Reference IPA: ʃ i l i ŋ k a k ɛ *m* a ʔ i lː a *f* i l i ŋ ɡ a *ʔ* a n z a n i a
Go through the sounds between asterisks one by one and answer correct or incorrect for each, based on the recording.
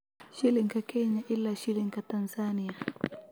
incorrect: ɲ, incorrect: ʃ, incorrect: t

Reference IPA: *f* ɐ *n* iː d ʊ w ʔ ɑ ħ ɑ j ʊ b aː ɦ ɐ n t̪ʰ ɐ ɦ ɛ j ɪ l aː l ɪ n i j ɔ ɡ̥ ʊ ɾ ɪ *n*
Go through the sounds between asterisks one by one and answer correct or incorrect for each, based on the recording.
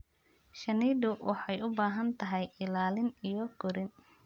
incorrect: ʃ, correct, correct

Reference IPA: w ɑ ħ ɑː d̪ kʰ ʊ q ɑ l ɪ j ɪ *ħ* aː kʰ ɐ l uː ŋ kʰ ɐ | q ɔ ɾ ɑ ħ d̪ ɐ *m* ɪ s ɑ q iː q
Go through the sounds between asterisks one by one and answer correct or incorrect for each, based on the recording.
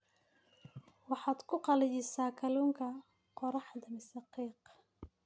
incorrect: s, correct

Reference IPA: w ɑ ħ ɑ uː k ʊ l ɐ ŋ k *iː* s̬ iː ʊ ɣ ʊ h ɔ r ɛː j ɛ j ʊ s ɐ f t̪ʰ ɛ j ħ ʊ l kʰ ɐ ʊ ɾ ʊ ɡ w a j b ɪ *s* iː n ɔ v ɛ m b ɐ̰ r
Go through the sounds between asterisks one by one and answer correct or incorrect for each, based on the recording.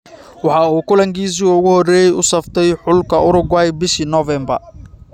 correct, incorrect: ʃ

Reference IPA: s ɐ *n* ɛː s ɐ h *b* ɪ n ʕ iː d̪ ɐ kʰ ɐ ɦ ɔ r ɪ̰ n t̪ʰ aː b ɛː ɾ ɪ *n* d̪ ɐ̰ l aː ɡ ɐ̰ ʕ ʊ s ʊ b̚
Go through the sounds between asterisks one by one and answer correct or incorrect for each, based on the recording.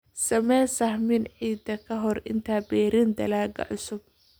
incorrect: m, incorrect: m, correct

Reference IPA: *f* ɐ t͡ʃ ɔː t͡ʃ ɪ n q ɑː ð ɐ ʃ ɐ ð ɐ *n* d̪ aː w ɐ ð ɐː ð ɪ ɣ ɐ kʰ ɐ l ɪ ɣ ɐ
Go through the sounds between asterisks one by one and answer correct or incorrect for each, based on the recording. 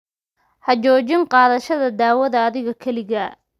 incorrect: h, incorrect: none

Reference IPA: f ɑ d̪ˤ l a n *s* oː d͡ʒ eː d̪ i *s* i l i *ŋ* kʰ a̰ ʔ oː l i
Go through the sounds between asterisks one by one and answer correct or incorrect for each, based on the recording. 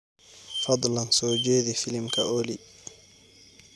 correct, incorrect: f, incorrect: m

